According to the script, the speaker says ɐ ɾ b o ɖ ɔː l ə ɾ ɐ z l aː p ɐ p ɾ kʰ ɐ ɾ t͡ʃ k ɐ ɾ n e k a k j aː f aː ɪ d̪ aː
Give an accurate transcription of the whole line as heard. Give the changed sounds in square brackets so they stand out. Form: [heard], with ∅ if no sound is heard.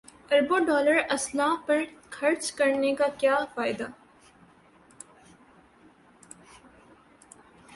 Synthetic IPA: ɐ ɾ b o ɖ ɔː l ə ɾ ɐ [s] l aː p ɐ [∅] ɾ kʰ ɐ ɾ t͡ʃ k ɐ ɾ n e k a k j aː f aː ɪ d̪ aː